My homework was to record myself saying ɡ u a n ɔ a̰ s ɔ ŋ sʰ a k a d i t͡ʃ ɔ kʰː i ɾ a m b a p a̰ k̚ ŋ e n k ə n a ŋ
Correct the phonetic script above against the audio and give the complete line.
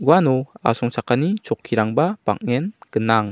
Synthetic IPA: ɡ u a n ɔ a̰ s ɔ ŋ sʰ a k a n i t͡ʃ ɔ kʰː i ɾ a ŋ b a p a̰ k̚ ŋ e n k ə n a ŋ